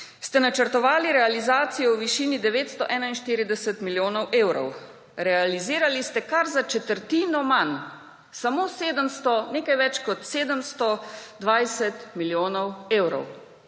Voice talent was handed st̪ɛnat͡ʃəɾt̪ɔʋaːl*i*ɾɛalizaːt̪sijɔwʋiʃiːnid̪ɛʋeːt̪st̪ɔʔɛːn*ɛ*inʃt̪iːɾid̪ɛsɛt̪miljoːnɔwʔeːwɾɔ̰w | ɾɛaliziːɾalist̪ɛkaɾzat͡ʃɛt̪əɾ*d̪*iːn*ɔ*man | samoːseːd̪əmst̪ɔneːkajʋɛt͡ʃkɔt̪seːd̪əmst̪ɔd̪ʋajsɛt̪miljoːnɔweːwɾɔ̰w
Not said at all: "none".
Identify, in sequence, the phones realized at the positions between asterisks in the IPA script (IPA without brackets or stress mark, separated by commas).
i, a, t̪, ɔ